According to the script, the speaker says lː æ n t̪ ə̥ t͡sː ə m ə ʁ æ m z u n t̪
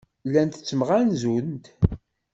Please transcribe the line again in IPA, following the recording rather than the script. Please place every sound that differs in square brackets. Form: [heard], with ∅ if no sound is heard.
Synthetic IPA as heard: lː æ n t̪ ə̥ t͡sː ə m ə ʁ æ [n] z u n t̪